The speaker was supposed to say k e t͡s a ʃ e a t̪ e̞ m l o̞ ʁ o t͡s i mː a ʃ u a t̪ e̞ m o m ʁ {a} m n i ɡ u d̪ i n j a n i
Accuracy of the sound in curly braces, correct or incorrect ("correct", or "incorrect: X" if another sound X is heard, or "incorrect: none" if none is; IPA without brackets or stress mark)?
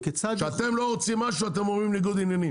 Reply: incorrect: i